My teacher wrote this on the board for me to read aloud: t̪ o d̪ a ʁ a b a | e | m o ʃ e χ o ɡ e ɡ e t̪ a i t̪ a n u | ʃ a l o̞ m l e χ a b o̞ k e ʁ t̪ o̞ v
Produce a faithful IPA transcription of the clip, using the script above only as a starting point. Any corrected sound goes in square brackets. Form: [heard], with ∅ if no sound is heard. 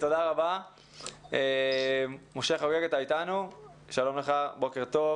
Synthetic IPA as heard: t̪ o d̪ a ʁ a b a | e | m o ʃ e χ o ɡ e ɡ e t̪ a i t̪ a n u | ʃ a l o̞ m l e χ a b o̞ k e ʁ t̪ o̞ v